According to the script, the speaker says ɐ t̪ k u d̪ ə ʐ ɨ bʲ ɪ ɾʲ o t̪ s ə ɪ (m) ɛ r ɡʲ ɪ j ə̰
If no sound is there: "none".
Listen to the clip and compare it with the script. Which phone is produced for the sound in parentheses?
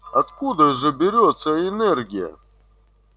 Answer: n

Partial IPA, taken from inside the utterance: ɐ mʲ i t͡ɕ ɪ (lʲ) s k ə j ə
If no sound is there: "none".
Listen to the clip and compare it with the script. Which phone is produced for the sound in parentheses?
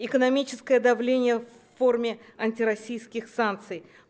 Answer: none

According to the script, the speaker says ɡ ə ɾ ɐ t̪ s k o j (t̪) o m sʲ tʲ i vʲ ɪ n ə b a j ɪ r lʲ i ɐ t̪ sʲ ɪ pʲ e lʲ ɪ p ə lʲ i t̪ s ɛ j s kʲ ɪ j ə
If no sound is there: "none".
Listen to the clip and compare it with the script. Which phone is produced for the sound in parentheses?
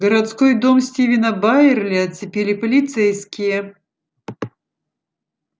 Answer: d̪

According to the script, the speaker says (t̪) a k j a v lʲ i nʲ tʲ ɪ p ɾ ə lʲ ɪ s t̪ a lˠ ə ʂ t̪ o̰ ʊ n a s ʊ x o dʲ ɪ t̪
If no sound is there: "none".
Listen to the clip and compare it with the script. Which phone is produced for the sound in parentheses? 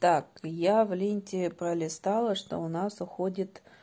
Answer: t̪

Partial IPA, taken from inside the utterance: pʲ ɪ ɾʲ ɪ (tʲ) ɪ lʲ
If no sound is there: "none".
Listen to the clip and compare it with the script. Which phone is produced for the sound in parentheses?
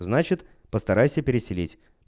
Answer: sʲ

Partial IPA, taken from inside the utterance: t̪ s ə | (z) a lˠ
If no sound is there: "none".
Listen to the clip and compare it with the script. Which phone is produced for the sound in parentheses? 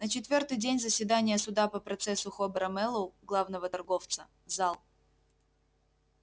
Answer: z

